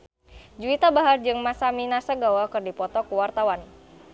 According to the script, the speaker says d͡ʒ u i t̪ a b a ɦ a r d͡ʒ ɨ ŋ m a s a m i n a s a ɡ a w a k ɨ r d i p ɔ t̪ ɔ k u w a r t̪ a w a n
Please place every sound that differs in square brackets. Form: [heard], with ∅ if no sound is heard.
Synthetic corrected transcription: d͡ʒ u i t̪ a b a ɦ a r d͡ʒ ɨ ŋ m a s a m i n a s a ɡ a w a k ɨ r d i p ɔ t̪ ɔ k u w a r t̪ a w a n